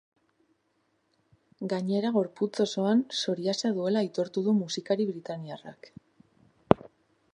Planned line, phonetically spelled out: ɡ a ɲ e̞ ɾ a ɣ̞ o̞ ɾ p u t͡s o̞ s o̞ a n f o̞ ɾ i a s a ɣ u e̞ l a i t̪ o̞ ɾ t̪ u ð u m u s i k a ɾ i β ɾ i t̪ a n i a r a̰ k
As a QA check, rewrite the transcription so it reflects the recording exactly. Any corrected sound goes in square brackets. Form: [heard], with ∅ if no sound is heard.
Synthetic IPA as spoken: ɡ a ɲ e̞ ɾ a ɣ̞ o̞ ɾ p u t͡s o̞ s o̞ a n [s] o̞ ɾ i a s a [ð] u e̞ l a i t̪ o̞ ɾ t̪ u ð u m u s i k a ɾ i β ɾ i t̪ a n i a r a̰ k